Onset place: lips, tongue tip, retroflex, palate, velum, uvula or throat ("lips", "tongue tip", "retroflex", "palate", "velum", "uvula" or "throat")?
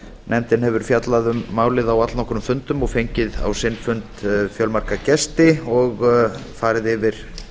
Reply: tongue tip